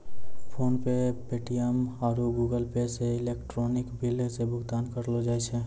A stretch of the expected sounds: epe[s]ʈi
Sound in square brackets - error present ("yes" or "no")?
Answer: yes